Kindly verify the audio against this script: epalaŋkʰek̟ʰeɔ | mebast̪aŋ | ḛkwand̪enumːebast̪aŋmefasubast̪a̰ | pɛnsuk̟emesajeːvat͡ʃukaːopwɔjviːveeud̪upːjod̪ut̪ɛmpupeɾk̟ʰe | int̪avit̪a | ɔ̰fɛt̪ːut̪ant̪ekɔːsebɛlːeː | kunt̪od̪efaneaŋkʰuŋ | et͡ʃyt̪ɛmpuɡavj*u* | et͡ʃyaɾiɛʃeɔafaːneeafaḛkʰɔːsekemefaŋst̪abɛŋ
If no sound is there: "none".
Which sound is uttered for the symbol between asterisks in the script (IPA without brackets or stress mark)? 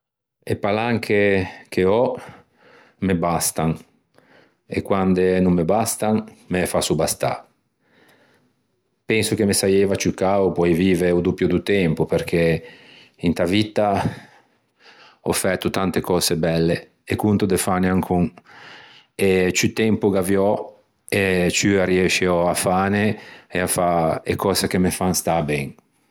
ɔ